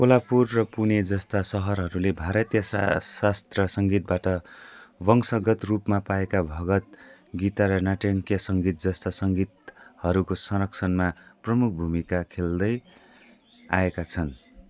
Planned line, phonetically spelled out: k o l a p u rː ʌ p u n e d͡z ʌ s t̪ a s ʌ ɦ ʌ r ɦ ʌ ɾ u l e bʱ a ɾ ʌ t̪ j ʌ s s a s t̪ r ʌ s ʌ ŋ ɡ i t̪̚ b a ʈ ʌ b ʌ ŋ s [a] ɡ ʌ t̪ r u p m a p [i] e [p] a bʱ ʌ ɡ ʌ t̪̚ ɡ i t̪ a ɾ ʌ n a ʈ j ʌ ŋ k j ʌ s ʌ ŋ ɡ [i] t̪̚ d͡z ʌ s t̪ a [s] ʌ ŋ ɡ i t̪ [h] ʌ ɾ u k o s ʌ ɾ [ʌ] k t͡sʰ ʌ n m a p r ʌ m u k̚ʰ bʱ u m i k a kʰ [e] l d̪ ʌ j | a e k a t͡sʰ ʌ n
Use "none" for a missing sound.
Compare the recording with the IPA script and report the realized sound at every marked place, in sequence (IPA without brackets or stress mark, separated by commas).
ʌ, a, k, i, s, h, ʌ, e